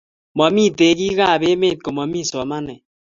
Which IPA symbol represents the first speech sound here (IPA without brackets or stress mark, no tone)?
m